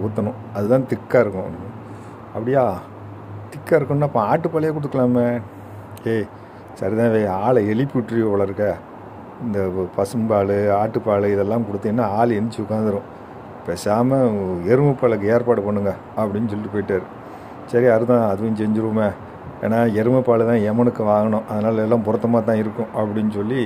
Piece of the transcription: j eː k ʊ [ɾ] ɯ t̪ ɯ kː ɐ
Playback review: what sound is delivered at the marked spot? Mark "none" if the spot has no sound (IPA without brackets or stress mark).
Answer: ɽ